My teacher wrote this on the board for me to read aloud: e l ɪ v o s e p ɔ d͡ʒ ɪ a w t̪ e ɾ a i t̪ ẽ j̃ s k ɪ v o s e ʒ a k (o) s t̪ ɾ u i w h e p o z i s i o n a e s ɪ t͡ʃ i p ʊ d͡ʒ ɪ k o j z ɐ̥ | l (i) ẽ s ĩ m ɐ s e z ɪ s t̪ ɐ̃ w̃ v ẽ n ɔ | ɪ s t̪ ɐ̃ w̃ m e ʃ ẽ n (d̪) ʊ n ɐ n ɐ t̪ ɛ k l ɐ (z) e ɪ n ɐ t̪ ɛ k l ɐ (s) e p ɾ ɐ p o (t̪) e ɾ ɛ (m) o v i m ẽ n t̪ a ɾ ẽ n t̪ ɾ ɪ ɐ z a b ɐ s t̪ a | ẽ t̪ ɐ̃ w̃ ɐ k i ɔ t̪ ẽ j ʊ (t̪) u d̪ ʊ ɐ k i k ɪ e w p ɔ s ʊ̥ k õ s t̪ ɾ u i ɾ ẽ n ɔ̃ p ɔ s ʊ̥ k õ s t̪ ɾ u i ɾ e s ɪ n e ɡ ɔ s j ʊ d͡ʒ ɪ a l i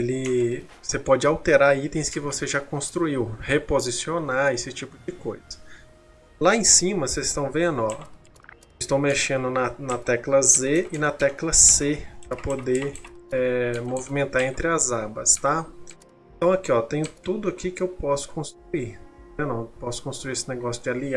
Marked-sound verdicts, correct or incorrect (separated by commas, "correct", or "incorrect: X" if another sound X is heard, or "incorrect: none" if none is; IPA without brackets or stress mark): incorrect: õ, incorrect: a, correct, correct, correct, incorrect: d̪, correct, correct